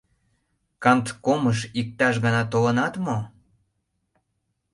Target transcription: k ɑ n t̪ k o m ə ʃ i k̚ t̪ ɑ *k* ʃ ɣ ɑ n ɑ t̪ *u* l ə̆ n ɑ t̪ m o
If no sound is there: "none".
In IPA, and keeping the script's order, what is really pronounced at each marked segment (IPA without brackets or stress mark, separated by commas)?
none, o